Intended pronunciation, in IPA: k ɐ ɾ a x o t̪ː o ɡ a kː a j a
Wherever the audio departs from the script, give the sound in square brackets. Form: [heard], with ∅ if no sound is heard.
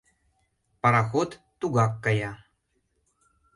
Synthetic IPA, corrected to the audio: [p] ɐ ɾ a x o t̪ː [u] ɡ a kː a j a